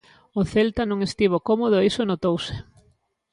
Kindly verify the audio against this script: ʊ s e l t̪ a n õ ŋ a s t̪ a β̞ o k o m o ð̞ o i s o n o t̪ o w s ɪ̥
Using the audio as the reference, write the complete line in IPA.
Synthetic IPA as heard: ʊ θ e l t̪ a n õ ŋ e s t̪ i β̞ o k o m o ð̞ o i s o n o t̪ o w s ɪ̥